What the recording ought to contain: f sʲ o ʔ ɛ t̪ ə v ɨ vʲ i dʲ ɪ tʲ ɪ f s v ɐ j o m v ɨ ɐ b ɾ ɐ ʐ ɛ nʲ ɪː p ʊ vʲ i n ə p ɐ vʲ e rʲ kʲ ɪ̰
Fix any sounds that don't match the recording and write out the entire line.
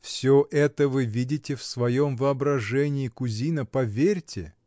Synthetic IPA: f sʲ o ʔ ɛ t̪ ə v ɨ vʲ i dʲ ɪ tʲ ɪ f s v ɐ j o m v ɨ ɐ b ɾ ɐ ʐ ɛ nʲ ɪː k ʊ zʲ i n ə p ɐ vʲ e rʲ tʲ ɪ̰